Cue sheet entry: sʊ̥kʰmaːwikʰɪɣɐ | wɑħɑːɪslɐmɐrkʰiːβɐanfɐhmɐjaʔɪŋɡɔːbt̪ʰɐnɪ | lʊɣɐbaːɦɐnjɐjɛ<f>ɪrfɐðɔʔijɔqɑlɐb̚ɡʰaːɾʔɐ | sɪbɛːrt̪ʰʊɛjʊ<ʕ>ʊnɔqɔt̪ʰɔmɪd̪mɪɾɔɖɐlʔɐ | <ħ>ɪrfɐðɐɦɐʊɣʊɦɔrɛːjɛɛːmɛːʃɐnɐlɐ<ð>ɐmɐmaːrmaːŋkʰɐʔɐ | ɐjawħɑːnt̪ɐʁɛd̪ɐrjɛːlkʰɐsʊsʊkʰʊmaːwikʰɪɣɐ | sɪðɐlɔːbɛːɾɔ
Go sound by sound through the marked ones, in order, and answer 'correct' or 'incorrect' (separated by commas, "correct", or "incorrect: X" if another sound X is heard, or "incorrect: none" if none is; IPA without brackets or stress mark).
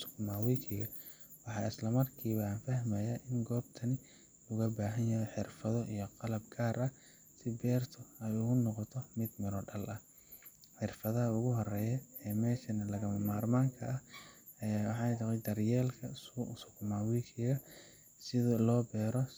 incorrect: ħ, incorrect: ɣ, correct, incorrect: ɣ